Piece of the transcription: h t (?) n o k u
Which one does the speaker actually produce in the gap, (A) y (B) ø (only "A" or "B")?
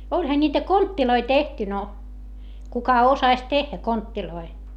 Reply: A